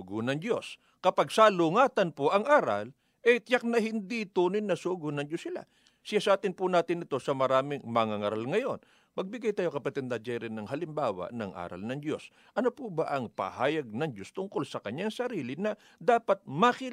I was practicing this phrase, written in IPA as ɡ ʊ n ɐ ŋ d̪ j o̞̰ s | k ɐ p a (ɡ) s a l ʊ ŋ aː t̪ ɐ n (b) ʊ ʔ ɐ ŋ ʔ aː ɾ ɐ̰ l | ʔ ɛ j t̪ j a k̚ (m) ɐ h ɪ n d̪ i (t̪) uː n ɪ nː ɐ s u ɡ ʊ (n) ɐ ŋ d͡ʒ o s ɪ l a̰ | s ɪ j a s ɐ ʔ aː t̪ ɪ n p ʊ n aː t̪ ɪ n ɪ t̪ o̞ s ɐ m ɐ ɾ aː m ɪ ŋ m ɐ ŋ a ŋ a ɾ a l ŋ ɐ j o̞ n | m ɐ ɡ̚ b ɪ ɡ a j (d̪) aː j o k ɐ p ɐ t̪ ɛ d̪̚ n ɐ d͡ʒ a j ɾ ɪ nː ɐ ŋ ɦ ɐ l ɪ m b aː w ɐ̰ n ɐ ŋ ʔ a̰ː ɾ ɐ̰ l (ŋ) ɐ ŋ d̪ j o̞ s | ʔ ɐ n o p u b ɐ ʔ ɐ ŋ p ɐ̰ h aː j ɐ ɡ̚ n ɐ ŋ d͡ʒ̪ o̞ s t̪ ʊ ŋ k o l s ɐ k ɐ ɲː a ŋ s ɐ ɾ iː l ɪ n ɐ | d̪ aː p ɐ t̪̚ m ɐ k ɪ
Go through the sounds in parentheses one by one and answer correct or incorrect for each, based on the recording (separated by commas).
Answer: correct, incorrect, incorrect, correct, correct, incorrect, incorrect